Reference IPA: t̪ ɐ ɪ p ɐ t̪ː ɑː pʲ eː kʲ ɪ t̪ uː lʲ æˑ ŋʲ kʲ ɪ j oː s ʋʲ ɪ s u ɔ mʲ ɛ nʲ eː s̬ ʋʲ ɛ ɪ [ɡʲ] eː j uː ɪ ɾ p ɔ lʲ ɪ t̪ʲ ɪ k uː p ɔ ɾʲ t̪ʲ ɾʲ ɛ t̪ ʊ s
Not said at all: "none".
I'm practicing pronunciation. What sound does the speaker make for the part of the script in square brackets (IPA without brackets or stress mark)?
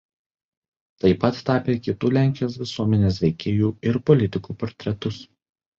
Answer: kʲ